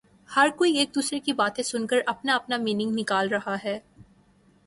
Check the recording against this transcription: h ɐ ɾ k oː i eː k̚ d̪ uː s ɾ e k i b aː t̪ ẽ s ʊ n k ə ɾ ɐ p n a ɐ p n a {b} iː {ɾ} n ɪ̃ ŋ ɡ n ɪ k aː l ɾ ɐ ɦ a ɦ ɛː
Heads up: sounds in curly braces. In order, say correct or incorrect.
incorrect: m, incorrect: none

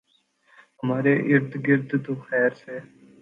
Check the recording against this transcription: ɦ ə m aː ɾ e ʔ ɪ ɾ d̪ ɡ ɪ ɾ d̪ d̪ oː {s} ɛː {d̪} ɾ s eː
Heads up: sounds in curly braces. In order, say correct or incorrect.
incorrect: x, incorrect: none

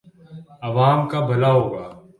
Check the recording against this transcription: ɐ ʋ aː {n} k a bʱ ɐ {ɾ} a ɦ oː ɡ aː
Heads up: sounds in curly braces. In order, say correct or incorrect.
incorrect: m, incorrect: l

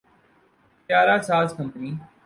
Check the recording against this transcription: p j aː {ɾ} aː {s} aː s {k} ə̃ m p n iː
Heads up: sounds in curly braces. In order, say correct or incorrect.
correct, correct, correct

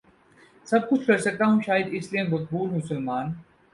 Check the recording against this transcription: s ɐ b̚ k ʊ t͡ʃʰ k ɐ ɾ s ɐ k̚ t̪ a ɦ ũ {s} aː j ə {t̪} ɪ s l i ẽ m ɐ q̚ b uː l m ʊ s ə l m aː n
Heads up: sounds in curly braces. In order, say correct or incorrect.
incorrect: ʃ, incorrect: d̪

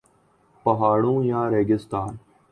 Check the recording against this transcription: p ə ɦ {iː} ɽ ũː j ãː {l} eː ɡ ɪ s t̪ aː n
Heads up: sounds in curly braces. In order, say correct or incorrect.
incorrect: aː, incorrect: ɾ

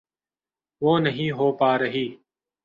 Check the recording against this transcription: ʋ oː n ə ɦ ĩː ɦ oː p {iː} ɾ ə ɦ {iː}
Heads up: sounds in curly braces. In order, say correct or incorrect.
incorrect: aː, correct

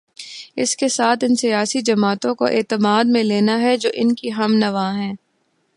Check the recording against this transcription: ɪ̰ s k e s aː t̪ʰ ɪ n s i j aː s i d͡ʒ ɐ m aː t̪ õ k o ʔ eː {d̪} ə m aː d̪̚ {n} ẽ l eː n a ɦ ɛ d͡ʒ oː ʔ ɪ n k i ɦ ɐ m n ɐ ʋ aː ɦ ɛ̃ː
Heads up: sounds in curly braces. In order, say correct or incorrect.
incorrect: t̪, incorrect: m

